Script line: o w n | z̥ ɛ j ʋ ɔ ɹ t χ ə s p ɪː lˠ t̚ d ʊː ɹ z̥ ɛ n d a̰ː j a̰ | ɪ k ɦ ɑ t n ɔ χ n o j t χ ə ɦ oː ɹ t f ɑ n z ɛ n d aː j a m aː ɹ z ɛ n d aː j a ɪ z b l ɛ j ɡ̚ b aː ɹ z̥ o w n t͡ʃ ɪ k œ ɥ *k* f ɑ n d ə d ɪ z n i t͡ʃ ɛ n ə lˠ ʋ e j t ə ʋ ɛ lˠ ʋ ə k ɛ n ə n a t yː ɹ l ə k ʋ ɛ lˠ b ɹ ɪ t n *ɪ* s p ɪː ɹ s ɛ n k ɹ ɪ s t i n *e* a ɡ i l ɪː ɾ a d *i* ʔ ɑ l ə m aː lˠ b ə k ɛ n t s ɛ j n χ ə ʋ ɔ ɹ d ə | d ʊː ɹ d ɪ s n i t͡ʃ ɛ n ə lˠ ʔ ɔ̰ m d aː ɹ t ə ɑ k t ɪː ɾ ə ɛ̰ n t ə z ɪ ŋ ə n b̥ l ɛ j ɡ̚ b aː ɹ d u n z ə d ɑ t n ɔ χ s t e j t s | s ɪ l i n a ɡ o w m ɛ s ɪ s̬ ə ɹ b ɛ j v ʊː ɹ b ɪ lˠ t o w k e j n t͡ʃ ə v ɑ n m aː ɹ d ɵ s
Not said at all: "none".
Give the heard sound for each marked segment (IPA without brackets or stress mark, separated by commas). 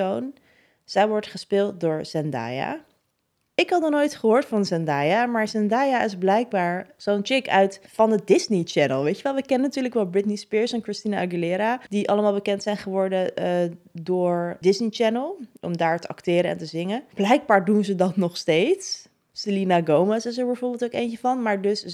t, i, a, i